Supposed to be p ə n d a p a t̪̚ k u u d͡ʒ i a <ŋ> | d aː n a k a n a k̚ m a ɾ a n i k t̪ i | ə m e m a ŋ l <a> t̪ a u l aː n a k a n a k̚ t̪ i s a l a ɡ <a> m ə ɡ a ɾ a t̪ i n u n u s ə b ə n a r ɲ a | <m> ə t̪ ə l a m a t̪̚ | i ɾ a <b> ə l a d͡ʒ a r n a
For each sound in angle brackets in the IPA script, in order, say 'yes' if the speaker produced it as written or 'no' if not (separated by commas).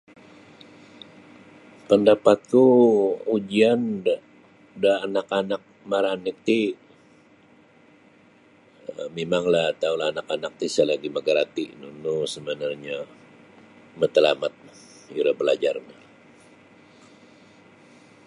no, yes, no, yes, yes